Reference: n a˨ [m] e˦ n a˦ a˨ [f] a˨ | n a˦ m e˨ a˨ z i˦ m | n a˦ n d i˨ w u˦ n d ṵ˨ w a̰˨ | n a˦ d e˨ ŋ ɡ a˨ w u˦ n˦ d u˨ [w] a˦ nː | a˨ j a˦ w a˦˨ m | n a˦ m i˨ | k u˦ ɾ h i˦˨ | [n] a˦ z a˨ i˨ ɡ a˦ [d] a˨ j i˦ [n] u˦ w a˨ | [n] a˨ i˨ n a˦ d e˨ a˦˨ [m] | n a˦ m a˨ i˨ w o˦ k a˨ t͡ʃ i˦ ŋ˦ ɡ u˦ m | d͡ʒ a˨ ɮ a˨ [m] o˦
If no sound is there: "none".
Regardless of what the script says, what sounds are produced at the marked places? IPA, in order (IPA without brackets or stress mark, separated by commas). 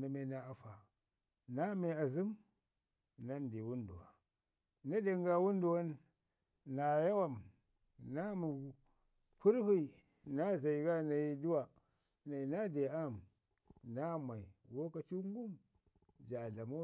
m, f, w, n, n, d, n, m, m